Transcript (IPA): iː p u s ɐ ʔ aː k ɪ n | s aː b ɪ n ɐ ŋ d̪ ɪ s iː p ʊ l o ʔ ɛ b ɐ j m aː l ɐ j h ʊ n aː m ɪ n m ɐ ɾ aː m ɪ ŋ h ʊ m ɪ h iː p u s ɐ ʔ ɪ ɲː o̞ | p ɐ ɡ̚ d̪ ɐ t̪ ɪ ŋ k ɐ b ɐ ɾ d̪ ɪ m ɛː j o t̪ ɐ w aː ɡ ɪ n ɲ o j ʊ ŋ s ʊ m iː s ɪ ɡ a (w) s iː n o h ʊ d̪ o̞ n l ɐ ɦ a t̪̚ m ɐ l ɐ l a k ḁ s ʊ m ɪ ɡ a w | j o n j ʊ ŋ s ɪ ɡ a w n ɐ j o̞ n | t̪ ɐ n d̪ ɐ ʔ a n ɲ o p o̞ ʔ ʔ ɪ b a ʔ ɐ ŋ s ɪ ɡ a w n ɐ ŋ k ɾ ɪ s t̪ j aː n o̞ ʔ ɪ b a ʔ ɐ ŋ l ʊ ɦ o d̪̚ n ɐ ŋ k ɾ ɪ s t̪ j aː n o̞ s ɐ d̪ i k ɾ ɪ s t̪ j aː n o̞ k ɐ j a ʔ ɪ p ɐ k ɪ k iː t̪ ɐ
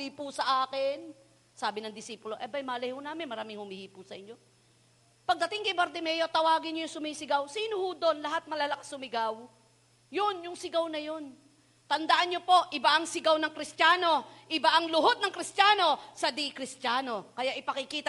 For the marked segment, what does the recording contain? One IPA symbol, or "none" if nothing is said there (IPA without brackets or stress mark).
w